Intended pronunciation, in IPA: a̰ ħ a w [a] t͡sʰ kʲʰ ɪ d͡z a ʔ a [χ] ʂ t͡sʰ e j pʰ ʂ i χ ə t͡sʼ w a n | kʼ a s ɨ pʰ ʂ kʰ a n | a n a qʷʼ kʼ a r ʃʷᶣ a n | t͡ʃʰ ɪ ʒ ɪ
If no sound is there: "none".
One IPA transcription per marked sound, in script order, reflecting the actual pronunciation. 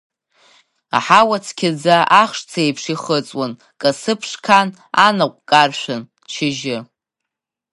a, χ

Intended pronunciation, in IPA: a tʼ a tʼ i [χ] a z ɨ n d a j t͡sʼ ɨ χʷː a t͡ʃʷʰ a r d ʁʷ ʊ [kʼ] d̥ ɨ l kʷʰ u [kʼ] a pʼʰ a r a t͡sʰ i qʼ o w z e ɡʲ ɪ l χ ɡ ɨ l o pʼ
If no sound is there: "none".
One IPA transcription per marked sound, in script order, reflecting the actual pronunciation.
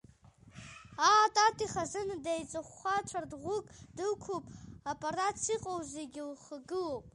χ, kʼ, pʼ

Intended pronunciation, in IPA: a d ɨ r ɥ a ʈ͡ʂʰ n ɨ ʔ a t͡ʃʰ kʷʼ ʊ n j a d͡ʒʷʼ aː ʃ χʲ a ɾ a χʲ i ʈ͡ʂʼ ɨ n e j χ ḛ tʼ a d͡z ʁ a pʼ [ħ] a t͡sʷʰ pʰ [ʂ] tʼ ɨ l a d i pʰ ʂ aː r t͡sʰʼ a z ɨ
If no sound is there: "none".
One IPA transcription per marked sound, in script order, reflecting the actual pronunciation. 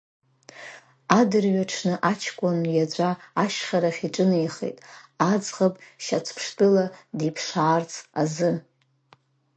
ʃ, ʂ

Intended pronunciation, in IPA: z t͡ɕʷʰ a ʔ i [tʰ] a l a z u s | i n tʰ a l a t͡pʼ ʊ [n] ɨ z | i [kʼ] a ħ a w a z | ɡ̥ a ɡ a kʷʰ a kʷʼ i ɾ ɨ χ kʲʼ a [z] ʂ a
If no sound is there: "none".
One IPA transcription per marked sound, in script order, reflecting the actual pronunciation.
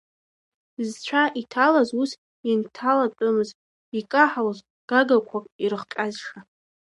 tʰ, m, kʼ, z

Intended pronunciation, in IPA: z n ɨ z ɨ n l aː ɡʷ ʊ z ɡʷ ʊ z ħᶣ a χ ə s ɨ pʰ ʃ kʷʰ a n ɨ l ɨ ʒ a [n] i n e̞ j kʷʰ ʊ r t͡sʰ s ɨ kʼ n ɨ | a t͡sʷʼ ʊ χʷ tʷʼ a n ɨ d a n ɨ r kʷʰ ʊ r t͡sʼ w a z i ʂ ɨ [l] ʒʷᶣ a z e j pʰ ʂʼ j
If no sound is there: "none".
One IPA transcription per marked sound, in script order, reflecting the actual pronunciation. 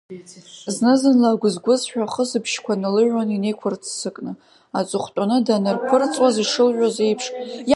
n, l

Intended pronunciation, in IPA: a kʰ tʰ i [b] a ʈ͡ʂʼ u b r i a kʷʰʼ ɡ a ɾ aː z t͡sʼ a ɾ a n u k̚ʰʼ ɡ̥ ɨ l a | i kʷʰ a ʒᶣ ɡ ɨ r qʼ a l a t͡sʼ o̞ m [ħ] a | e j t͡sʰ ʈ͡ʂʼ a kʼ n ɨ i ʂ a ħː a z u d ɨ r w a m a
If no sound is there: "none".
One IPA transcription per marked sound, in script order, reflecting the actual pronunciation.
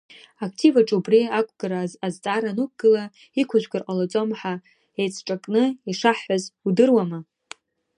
v, ħ

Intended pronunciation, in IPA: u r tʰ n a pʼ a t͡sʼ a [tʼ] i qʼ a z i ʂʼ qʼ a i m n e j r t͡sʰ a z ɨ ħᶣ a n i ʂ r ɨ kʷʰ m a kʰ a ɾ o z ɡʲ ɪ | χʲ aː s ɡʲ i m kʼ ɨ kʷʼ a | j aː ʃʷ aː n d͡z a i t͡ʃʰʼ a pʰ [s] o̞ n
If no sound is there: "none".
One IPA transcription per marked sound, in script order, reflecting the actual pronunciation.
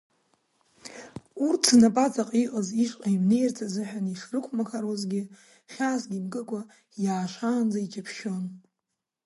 qʼ, ʃ

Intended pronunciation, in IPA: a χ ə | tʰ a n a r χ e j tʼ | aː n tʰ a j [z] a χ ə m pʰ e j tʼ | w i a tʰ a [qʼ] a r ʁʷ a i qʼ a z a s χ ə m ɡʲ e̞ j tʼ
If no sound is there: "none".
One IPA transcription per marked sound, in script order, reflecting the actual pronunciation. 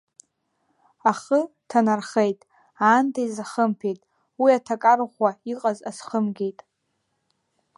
z, kʼ

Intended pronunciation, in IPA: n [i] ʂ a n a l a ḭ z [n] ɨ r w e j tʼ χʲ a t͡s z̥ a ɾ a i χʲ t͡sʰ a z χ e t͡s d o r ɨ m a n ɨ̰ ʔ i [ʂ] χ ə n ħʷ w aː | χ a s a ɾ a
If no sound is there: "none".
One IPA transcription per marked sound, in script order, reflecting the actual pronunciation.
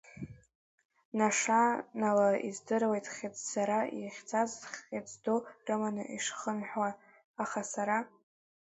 a, d, ʂ

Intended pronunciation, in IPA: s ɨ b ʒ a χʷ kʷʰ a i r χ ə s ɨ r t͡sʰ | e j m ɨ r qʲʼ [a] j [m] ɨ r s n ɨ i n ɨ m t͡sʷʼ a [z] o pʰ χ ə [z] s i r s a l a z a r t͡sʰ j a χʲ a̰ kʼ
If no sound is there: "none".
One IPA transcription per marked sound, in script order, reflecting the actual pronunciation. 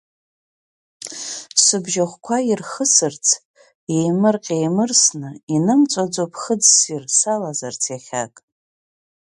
e, m, d͡z, d͡z

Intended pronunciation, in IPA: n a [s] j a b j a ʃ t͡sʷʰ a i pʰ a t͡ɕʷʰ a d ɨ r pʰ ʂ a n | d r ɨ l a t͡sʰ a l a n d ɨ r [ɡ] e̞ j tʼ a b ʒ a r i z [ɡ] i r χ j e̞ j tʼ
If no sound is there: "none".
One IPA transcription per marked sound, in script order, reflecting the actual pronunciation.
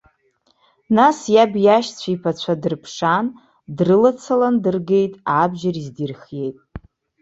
s, ɡ, d

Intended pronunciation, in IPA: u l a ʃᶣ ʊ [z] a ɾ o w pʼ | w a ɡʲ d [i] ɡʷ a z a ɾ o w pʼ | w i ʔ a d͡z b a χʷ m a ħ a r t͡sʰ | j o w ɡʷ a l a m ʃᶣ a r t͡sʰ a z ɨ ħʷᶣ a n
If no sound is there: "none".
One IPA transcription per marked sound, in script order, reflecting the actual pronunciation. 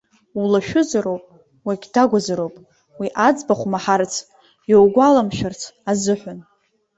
z, a

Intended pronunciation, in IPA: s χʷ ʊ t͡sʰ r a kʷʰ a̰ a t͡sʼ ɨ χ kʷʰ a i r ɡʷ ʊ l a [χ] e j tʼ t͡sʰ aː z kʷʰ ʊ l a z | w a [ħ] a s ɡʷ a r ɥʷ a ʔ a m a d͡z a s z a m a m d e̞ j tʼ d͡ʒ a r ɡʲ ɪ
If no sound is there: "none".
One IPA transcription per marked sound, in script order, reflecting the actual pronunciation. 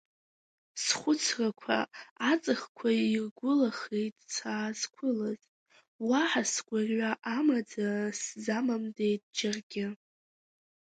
χ, ħ

